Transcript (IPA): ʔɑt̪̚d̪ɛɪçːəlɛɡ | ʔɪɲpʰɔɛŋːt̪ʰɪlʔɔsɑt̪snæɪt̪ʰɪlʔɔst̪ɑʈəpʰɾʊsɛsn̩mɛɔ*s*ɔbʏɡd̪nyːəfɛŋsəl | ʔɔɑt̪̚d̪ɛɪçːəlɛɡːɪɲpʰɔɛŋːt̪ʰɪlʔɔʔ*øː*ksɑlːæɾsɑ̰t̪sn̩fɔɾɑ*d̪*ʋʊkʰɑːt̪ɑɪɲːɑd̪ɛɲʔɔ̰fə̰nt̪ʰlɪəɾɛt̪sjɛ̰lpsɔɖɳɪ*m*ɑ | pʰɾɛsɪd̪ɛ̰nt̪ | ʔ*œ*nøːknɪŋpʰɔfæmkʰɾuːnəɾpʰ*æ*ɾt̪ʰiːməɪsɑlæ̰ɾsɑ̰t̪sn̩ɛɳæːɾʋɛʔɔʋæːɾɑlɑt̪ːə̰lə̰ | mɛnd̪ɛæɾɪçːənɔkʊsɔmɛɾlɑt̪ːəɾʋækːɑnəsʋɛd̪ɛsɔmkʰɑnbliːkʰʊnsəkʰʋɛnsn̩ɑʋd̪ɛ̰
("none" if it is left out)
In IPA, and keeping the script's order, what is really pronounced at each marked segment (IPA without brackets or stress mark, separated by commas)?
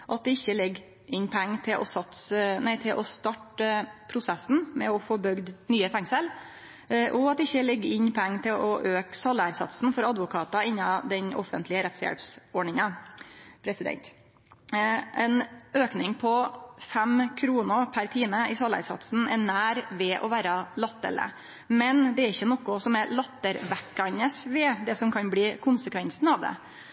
f, øː, d̪, ŋ, ɛ, æ